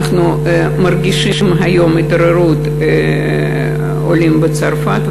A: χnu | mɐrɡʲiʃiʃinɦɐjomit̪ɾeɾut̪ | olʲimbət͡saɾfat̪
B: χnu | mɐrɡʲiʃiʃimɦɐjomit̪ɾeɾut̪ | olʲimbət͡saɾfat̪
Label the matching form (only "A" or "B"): B